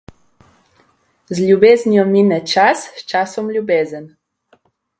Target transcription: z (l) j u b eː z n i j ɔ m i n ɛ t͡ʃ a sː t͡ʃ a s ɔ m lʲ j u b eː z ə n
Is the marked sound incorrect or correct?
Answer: correct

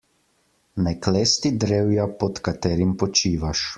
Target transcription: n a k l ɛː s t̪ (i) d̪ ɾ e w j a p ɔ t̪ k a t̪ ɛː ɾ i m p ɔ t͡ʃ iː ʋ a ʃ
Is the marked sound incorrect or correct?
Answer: correct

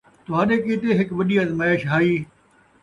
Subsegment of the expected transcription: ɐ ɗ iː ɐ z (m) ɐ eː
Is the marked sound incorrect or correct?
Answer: correct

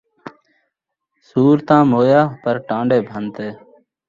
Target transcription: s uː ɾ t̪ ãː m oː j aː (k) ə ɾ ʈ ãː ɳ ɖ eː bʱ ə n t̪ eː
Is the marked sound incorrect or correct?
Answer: incorrect: p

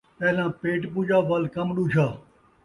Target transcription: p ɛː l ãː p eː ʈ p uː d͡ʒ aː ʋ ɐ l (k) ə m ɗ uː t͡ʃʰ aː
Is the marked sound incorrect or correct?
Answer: correct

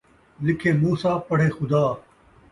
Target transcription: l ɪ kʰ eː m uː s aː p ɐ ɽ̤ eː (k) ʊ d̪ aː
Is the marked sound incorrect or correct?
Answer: incorrect: x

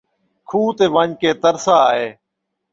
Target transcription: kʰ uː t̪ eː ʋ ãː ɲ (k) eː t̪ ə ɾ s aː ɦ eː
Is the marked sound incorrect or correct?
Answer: correct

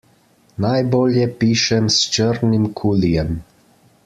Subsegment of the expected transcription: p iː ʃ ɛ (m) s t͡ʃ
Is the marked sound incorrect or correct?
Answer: correct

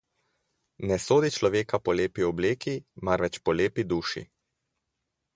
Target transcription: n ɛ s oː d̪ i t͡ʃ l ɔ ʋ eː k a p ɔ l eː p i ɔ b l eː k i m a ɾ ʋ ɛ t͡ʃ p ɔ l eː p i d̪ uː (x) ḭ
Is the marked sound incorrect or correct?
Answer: incorrect: ʃ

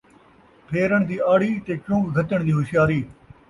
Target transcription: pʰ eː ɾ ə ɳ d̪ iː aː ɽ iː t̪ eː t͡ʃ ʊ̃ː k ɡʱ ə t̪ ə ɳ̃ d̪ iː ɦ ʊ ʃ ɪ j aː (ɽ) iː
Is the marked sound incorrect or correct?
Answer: incorrect: ɾ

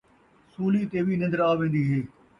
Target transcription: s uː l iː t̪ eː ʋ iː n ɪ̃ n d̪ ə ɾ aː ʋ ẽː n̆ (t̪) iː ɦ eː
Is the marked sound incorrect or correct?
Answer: incorrect: d̪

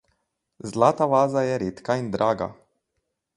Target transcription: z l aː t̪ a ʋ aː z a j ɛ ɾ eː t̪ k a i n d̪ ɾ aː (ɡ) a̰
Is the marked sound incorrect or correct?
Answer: correct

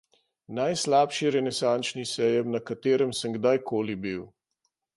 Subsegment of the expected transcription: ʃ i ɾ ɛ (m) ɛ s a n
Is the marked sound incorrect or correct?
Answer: incorrect: n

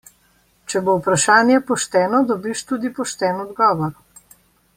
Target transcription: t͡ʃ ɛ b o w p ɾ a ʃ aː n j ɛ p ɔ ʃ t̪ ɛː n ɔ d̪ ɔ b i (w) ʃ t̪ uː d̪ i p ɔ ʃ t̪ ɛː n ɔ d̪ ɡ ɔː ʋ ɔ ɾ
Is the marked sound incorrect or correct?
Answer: incorrect: none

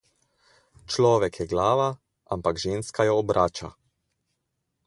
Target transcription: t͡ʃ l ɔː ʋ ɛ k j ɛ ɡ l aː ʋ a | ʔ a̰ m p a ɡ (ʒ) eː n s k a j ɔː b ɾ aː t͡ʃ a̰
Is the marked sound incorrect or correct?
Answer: correct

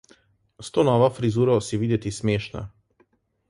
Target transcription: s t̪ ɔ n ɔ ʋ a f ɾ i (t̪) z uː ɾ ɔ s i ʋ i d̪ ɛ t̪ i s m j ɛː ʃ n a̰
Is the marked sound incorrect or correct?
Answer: incorrect: none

